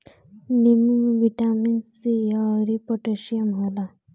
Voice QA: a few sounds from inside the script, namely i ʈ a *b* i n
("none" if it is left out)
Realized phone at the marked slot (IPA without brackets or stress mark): m